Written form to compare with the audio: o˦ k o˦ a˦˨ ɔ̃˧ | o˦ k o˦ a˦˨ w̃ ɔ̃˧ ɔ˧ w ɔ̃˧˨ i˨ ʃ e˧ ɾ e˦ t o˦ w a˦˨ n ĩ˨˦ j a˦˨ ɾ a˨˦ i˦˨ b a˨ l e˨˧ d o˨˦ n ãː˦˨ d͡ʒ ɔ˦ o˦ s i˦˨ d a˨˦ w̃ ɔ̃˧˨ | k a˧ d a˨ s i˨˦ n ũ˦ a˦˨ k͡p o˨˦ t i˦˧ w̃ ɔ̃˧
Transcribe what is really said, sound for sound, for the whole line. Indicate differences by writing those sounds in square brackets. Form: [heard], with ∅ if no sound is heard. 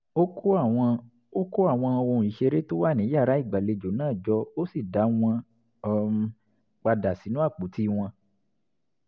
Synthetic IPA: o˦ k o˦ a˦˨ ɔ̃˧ | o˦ k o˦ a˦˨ w̃ ɔ̃˧ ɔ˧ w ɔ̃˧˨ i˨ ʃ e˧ ɾ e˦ t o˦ w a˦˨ n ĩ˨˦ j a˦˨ ɾ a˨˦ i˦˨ [ɡ͡b] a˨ l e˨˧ [d͡ʒ] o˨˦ n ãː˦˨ d͡ʒ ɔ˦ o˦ s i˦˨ d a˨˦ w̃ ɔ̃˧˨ | [k͡p] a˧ d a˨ s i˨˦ n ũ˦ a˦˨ k͡p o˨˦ t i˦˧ w̃ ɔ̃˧